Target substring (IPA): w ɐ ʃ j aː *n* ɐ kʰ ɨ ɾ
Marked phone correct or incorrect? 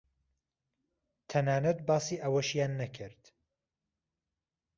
incorrect